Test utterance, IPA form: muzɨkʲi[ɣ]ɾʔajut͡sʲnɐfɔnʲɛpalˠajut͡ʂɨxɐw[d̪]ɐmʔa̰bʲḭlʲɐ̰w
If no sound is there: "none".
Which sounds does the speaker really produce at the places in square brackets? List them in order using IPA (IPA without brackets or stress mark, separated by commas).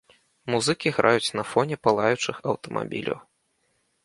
ɣ, t̪